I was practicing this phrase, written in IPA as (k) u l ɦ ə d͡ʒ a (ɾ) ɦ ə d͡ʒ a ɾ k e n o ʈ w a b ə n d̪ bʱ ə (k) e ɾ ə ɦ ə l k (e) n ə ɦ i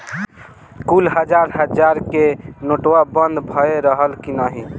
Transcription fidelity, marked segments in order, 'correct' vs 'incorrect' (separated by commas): correct, correct, incorrect, incorrect